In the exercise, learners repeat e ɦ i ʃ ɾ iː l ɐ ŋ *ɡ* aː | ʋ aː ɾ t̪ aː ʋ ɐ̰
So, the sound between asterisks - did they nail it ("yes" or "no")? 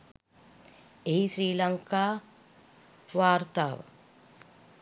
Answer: no